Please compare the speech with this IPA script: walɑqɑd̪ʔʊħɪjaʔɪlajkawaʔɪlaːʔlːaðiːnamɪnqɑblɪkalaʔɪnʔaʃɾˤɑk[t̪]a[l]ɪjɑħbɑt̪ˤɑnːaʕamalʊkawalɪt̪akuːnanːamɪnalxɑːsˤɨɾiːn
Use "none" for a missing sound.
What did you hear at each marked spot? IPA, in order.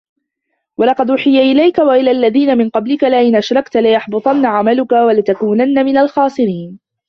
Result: t̪, l

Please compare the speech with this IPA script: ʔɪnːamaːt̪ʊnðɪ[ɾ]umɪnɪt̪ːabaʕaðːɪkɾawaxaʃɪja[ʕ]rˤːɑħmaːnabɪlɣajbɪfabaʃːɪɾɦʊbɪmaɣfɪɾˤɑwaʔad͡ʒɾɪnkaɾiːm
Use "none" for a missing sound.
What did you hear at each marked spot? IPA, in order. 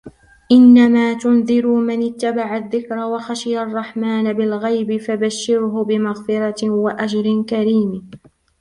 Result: ɾ, none

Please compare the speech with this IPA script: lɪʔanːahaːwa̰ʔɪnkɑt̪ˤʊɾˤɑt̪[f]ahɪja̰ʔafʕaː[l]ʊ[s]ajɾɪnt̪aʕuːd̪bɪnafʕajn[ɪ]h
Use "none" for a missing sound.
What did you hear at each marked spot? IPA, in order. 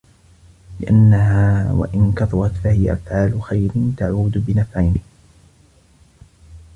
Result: f, l, x, ɪ

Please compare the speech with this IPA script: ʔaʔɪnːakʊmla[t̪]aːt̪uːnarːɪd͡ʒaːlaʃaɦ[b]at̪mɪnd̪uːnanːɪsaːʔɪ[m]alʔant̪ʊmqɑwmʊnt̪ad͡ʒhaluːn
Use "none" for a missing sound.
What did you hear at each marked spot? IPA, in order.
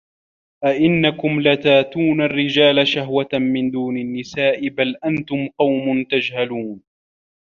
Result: t̪, w, b

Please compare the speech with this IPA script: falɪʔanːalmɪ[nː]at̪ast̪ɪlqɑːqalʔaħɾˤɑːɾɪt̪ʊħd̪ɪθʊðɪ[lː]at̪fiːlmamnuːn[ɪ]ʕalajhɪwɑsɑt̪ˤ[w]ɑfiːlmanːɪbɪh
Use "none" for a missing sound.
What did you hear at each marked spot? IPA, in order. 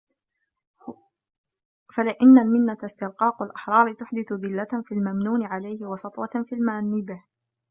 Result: nː, lː, ɪ, w

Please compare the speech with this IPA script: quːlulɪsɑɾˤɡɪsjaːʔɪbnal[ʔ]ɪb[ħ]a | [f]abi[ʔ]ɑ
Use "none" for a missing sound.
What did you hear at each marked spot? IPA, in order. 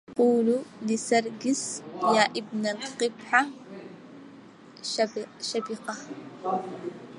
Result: q, ħ, ʃ, q

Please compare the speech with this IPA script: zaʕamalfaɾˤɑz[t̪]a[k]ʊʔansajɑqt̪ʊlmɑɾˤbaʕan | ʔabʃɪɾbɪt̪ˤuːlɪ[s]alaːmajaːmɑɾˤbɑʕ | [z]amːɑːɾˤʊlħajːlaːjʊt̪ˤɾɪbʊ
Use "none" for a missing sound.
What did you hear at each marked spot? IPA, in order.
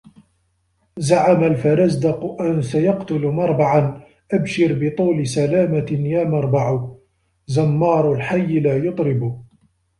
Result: d̪, q, s, z

